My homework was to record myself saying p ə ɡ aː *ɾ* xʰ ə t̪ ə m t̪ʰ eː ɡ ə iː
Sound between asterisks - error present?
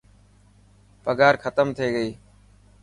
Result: no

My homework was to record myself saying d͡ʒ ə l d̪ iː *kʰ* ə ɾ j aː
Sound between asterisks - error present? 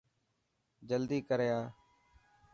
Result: yes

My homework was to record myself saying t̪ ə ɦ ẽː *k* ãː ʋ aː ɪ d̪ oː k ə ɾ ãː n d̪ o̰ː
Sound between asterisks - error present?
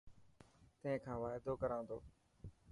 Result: yes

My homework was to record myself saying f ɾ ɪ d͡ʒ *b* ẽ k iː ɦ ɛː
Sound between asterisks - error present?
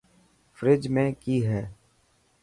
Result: yes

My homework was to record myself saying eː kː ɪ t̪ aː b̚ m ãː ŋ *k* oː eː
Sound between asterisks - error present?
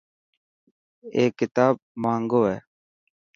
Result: yes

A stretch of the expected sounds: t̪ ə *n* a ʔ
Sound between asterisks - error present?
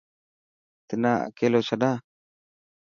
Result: no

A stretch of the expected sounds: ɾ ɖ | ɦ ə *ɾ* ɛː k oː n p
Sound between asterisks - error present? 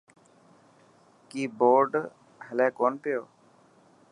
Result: yes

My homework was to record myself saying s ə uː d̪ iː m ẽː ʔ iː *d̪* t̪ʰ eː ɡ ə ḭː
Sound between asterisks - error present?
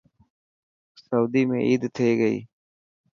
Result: no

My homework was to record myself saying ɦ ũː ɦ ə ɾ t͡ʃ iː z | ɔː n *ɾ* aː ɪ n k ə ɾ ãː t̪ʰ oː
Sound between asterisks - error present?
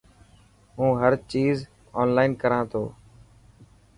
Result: yes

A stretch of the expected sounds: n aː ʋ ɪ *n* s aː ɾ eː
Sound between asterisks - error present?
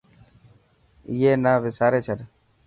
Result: yes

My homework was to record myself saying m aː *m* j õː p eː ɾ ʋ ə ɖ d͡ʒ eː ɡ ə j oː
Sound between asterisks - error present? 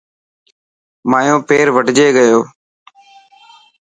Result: yes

